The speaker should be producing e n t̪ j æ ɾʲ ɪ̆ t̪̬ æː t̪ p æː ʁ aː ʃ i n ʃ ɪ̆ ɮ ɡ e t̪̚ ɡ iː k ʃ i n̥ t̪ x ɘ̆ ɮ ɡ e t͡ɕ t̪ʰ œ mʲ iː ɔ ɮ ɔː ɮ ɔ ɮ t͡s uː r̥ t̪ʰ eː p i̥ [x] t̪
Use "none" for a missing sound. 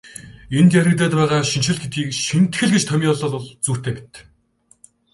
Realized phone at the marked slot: none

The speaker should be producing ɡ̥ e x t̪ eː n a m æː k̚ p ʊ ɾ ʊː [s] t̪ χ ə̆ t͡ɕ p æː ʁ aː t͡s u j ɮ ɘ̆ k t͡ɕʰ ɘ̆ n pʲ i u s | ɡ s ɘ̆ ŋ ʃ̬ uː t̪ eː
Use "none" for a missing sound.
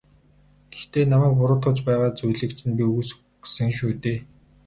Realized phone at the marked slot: none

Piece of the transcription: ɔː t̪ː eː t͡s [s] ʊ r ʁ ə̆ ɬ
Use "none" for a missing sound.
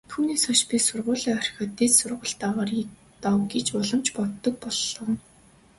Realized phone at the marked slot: s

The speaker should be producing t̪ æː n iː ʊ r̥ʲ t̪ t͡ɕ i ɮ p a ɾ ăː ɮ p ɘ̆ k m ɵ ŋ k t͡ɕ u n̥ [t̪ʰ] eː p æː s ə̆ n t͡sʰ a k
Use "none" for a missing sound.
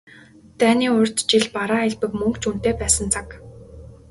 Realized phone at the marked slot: t̪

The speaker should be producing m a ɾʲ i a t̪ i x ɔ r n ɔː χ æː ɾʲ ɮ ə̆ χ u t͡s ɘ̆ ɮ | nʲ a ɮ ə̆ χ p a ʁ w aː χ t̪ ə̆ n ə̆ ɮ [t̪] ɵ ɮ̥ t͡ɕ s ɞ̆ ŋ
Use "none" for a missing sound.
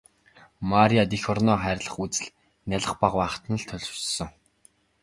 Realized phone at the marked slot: t̪ʰ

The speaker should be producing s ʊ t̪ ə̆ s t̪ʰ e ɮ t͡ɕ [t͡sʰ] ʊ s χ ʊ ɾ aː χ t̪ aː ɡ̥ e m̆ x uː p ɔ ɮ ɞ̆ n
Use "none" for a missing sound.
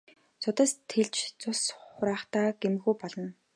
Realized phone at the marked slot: t͡s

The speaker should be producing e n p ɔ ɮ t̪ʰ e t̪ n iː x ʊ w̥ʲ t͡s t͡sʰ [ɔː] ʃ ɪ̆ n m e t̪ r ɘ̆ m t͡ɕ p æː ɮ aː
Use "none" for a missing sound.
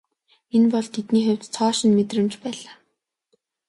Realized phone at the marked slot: ɔː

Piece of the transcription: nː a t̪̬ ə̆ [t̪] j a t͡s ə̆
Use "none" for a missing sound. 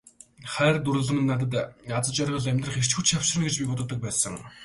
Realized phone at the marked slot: t̪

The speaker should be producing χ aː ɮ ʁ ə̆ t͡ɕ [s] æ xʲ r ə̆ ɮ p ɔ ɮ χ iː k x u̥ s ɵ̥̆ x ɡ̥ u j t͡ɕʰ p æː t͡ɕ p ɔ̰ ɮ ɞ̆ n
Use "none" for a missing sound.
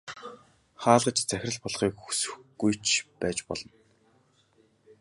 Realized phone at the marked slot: t͡s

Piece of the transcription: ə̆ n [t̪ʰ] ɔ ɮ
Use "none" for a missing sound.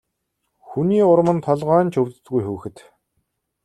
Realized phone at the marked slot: t̪ʰ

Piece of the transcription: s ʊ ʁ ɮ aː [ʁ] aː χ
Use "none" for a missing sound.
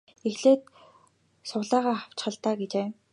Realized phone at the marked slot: ʁ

